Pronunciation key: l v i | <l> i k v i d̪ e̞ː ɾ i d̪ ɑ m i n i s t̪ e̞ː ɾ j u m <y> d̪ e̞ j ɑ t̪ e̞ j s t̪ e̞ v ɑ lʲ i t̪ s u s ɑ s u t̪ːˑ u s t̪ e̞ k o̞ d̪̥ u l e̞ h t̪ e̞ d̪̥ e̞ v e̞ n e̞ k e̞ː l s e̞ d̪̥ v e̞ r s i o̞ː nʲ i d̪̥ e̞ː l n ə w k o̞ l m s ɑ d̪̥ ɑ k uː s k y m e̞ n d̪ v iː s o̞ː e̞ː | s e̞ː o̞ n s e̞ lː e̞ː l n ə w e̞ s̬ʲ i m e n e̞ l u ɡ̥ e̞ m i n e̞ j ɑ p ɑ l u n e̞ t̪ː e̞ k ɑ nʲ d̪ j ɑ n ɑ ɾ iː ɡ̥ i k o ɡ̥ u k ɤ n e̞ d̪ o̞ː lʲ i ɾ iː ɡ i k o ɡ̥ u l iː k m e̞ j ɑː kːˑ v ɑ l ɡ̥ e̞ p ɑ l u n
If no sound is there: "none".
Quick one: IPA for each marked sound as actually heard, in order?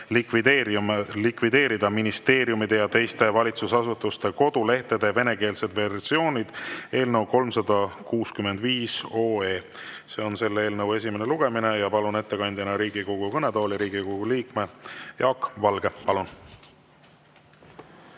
l, i

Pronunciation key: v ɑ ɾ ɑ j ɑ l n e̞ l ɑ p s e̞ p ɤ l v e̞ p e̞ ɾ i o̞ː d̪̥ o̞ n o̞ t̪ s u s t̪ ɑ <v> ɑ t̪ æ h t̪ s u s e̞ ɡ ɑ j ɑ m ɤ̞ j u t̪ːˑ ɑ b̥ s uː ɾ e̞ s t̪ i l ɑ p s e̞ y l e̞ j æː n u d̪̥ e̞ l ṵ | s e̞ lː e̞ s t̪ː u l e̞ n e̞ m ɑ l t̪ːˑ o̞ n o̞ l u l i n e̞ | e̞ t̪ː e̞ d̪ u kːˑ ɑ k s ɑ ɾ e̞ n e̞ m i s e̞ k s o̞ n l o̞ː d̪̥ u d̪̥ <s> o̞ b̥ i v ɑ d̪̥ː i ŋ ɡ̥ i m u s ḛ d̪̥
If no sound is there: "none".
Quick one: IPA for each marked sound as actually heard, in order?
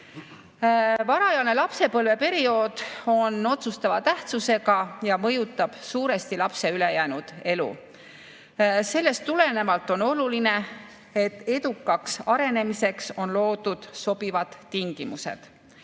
v, s

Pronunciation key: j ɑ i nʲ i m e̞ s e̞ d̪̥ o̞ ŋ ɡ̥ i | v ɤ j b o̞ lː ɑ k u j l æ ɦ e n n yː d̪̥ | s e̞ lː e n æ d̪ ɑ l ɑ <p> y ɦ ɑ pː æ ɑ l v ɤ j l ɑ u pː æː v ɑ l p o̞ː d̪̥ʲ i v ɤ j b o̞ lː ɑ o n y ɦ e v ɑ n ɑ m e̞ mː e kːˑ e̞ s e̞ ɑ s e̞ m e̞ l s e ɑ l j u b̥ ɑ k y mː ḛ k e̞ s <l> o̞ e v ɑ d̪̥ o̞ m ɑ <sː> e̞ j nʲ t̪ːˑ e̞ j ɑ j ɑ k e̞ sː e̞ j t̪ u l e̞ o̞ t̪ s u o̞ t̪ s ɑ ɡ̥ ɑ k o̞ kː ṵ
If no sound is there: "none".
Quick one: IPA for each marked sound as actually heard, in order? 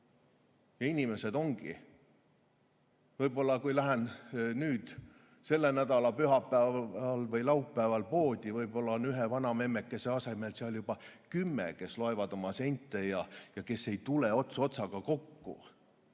p, l, s

